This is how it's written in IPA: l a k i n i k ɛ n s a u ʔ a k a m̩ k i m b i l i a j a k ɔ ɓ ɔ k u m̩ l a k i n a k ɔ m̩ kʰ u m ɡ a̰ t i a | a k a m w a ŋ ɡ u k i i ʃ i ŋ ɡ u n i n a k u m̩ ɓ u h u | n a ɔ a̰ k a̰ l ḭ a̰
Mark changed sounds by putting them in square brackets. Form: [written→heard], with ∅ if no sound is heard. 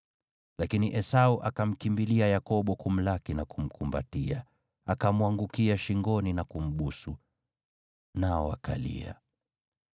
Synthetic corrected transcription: l a k i n i [k→ʔ] ɛ [n→∅] s a u ʔ a k a m̩ k i m b i l i a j a k ɔ ɓ ɔ k u m̩ l a k i n a k [ɔ→u] m̩ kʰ u m [ɡ→b] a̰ t i a | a k a m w a ŋ ɡ u k i [i→a] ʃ i ŋ ɡ [u→ɔ] n i n a k u m̩ ɓ u [h→s] u | n a ɔ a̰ k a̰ l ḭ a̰

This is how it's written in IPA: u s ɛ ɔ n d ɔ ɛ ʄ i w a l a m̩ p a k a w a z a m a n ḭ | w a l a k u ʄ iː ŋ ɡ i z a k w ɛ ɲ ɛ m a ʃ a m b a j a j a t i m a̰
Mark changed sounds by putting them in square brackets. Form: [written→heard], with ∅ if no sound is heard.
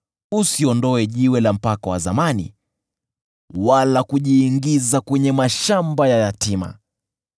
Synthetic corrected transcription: u s [ɛ→i] ɔ n d ɔ ɛ ʄ i w [a→ɛ] l a m̩ p a k a w a z a m a n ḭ | w a l a k u ʄ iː ŋ ɡ i z a k w ɛ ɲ ɛ m a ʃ a m b a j a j a t i m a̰

